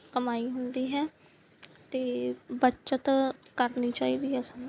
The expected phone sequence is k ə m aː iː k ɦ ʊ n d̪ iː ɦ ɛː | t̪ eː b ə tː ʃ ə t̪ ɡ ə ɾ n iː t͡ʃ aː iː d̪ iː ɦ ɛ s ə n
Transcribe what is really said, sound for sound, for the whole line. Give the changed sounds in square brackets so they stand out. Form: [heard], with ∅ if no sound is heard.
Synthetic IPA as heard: k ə m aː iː [∅] ɦ ʊ n d̪ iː ɦ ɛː | t̪ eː b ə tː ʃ ə t̪ [k] ə ɾ n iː t͡ʃ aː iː d̪ iː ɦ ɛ s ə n